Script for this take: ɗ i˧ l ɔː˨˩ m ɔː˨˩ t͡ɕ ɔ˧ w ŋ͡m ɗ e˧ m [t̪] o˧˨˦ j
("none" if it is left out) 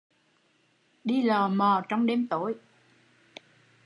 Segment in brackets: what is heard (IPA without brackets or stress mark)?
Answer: t̪